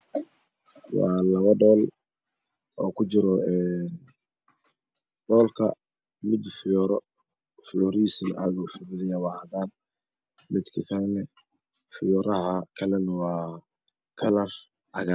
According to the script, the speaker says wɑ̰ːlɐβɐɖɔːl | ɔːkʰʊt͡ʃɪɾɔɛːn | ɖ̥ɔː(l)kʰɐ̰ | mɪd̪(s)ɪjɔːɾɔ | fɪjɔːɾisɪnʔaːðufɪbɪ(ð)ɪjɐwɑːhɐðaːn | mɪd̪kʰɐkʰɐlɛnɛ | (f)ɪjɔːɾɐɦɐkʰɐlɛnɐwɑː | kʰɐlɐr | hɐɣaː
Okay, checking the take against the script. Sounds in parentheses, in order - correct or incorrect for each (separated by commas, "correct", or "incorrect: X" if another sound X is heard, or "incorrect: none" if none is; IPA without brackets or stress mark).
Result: correct, incorrect: f, correct, correct